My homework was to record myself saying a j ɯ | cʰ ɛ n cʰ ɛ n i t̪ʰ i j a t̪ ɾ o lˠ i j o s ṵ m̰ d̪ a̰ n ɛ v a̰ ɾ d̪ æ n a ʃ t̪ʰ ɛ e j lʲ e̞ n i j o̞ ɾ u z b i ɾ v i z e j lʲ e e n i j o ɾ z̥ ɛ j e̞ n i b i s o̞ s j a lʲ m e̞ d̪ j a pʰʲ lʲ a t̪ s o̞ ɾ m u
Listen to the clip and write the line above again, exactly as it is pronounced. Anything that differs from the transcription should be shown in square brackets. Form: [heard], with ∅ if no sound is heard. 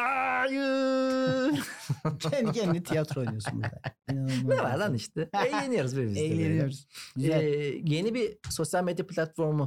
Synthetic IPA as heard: a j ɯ | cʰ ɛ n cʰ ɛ n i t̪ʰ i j a t̪ ɾ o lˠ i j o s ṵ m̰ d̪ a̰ n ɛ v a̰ ɾ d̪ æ n [i] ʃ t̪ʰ ɛ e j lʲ e̞ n i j o̞ ɾ u z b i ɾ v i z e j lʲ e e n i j o ɾ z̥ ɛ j e̞ n i b i s o̞ s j a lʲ m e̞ d̪ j a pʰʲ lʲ a t̪ [f] o̞ ɾ m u